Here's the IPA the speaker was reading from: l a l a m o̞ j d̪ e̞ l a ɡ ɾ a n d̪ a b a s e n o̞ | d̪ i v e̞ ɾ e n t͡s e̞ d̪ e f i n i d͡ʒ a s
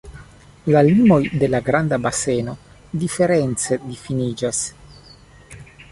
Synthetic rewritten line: l a l i m o̞ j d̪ e̞ l a ɡ ɾ a n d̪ a b a s e n o̞ | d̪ i f e̞ ɾ e n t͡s e̞ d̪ i f i n i d͡ʒ a s